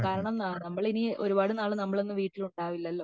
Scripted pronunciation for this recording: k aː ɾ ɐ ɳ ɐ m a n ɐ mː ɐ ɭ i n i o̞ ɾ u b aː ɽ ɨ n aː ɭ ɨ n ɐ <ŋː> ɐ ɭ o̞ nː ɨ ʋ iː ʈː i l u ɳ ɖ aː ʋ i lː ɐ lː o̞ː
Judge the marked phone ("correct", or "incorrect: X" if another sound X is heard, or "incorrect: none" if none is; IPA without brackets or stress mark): incorrect: mː